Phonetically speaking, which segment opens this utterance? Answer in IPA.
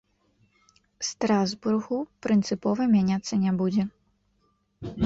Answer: s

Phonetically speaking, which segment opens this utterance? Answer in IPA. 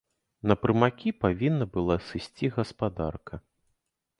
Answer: n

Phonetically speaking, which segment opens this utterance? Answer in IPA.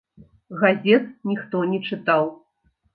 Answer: ɣ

